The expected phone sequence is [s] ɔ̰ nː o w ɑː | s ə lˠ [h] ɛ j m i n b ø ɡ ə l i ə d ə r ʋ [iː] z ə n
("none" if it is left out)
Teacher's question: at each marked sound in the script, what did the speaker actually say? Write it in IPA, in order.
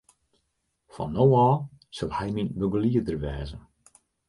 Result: f, h, ɛː

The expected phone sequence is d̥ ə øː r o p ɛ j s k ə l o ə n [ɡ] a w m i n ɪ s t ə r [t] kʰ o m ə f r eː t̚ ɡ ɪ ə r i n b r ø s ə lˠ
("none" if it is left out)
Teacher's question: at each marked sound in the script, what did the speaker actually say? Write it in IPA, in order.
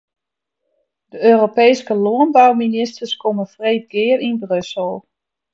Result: b, s

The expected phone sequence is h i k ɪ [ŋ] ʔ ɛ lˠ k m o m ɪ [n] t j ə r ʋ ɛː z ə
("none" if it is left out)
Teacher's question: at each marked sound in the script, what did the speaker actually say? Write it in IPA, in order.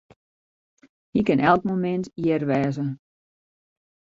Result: n, n

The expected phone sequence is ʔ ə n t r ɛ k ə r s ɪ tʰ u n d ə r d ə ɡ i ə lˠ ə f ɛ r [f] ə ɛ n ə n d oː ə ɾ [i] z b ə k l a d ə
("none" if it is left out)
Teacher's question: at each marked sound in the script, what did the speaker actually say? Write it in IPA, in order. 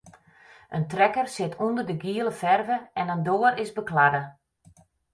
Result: v, ɪ

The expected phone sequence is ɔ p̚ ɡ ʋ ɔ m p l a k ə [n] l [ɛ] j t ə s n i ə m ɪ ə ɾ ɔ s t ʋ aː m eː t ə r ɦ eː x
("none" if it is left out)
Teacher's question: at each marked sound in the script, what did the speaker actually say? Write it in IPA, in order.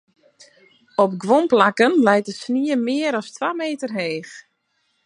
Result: n, ɛ

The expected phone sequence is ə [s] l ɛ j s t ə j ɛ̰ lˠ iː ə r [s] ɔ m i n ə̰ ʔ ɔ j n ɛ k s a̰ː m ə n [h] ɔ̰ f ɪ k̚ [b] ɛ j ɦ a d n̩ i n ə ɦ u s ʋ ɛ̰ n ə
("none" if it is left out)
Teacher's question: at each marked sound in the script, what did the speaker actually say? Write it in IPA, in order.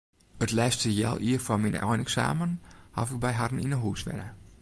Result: t, f, h, b

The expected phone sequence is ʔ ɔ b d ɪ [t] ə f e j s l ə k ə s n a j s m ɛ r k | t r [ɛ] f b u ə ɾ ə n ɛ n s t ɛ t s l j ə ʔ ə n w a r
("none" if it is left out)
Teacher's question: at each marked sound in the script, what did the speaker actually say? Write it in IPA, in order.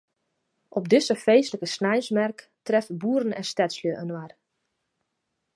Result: s, ɛ

